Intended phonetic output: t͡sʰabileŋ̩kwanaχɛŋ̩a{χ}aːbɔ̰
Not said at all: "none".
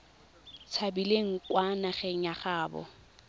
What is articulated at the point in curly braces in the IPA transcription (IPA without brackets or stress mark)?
χ